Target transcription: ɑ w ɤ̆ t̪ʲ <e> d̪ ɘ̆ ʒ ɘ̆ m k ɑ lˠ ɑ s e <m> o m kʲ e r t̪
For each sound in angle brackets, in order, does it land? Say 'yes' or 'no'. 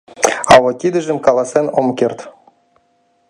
no, no

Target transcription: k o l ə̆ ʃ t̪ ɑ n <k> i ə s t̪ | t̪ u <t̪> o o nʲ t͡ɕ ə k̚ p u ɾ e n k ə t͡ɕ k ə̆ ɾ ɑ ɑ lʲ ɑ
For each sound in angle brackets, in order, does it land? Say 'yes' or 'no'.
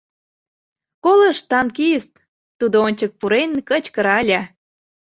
yes, no

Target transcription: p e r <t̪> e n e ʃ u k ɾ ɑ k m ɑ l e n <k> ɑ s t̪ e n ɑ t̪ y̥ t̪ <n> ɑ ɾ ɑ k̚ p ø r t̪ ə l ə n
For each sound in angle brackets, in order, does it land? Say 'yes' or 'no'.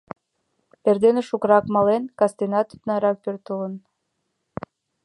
no, yes, yes

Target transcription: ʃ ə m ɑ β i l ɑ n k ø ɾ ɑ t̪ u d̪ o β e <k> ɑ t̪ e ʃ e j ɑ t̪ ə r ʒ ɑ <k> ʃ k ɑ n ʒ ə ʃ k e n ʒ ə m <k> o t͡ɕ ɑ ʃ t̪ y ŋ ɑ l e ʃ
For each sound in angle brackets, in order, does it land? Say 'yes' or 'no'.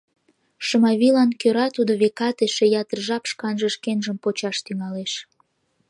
yes, no, no

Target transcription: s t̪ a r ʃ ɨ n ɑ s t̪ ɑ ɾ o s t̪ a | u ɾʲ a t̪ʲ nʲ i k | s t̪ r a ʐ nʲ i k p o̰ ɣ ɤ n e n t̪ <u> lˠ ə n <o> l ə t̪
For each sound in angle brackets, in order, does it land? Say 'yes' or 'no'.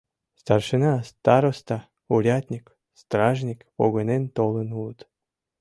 no, no

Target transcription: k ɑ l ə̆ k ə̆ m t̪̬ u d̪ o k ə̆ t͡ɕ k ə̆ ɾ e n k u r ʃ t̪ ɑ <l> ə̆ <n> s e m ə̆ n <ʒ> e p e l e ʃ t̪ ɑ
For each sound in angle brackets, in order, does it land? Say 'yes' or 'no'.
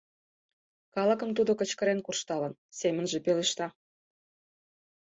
yes, yes, yes

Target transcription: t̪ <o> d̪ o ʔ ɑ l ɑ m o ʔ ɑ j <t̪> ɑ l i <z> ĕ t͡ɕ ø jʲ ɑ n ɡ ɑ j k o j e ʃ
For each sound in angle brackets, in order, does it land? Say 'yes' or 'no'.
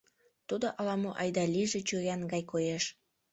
no, no, no

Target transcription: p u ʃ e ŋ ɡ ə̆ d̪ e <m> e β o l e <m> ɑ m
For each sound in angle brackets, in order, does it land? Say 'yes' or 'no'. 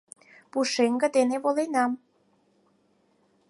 no, no

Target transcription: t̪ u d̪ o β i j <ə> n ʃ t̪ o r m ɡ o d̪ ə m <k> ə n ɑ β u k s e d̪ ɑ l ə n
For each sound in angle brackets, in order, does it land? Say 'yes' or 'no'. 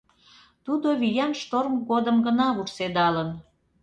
no, no

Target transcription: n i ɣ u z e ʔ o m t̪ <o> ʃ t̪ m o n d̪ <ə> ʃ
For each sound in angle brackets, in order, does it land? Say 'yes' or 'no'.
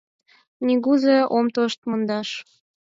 yes, no

